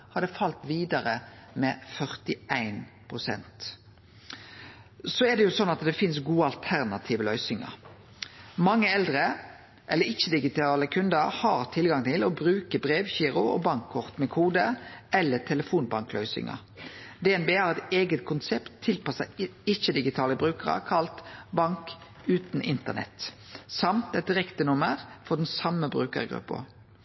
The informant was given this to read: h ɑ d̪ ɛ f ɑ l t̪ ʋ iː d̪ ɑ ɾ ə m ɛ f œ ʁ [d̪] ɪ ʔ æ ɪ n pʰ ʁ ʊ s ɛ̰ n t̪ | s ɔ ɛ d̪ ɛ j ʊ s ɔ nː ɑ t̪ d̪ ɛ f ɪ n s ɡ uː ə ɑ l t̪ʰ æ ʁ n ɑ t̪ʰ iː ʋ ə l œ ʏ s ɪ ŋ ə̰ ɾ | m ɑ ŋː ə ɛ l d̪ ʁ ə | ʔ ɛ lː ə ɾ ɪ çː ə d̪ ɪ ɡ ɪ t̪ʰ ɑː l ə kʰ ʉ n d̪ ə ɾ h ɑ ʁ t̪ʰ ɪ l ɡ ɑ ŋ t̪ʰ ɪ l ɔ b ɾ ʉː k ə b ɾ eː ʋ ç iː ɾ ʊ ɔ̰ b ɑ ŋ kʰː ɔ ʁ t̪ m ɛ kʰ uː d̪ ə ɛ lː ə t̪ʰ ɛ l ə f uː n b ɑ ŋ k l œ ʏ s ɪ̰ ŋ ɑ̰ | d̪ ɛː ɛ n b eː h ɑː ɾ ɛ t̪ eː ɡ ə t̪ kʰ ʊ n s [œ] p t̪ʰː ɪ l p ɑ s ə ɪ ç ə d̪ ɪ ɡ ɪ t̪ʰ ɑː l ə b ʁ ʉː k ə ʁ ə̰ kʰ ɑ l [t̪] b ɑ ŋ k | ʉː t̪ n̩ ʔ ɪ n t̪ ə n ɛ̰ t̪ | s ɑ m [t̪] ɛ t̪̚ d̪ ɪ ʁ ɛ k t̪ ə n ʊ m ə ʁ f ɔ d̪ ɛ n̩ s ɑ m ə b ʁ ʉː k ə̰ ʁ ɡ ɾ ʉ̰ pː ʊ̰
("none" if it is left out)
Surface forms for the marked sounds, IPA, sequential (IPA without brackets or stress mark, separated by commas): t̪, ɛ, t̪, t̪